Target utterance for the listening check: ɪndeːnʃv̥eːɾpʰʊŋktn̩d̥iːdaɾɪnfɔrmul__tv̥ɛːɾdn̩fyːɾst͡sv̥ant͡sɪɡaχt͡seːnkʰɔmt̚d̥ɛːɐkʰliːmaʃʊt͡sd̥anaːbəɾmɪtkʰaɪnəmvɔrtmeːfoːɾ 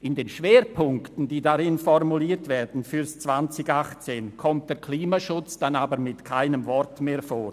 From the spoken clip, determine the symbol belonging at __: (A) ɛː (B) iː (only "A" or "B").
B